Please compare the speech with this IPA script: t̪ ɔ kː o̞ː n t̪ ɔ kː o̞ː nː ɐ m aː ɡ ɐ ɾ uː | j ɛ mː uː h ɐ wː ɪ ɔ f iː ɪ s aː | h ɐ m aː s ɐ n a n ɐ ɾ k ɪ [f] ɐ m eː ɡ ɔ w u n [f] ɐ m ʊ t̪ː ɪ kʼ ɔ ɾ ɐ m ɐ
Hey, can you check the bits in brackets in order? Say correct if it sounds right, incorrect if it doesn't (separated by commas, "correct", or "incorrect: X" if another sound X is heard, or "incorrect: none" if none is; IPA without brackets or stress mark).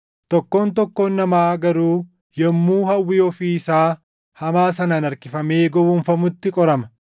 correct, correct